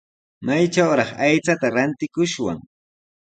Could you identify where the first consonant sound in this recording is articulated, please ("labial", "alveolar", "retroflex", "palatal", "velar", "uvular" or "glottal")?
labial